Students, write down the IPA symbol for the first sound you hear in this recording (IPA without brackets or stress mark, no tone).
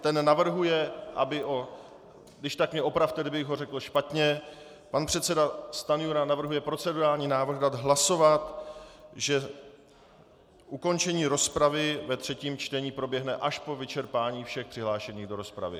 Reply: t̪